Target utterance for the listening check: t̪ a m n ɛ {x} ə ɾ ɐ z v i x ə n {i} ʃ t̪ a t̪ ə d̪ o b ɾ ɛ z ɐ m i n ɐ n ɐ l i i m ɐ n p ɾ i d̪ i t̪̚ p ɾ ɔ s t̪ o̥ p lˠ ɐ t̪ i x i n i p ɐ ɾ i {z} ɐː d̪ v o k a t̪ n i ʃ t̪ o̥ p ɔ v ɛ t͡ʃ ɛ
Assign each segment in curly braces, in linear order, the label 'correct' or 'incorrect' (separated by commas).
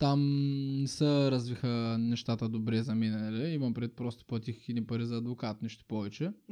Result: incorrect, incorrect, correct